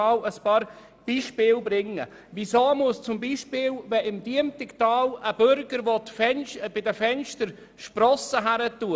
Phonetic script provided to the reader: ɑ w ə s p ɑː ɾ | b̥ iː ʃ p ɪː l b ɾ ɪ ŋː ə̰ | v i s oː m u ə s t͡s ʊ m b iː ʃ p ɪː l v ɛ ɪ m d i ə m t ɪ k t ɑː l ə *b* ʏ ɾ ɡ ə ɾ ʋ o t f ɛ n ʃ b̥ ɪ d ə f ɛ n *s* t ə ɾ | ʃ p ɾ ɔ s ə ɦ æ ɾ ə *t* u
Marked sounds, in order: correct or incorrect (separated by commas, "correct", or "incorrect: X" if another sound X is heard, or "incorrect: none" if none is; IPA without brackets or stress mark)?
correct, incorrect: ʃ, correct